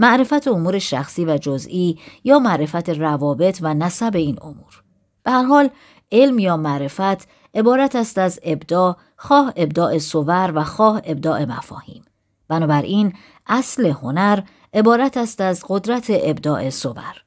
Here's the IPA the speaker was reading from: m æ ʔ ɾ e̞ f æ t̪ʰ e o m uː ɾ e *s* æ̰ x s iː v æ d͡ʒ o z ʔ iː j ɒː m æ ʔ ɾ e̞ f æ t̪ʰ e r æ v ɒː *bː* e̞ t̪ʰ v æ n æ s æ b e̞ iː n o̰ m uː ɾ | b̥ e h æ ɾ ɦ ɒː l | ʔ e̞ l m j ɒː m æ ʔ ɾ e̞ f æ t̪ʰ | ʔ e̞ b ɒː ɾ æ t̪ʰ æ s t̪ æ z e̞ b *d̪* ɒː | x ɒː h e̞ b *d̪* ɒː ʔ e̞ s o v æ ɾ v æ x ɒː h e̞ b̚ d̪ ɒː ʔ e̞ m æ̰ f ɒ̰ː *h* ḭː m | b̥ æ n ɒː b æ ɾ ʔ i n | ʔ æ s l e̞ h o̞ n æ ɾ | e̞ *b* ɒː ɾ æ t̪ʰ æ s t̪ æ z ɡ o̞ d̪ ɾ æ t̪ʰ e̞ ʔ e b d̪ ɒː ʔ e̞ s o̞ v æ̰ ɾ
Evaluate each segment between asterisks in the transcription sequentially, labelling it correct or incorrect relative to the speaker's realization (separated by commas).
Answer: incorrect, incorrect, correct, correct, correct, correct